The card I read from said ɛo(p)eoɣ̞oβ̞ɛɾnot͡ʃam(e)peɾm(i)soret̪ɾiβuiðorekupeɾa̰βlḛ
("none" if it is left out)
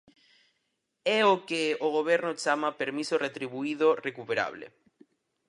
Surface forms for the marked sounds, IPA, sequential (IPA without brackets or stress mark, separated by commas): k, a, i